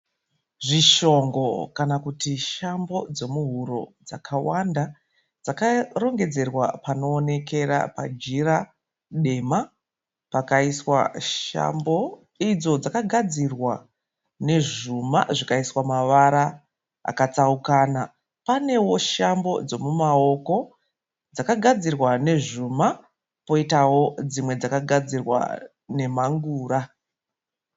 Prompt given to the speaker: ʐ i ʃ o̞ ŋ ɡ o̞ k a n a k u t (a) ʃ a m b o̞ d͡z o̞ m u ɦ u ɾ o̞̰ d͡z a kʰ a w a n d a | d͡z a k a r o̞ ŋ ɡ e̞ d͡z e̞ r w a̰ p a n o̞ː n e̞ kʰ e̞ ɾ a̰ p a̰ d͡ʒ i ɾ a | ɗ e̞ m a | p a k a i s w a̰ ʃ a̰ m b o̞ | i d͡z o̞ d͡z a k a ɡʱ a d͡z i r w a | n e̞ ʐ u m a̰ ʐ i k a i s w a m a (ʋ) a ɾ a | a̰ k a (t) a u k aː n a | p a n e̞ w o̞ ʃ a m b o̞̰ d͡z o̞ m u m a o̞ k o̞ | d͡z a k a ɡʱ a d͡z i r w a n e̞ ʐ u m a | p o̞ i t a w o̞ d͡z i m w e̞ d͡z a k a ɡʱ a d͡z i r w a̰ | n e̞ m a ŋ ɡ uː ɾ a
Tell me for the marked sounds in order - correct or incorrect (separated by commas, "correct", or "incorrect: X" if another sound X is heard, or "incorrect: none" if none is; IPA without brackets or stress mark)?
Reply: incorrect: i, correct, incorrect: t͡s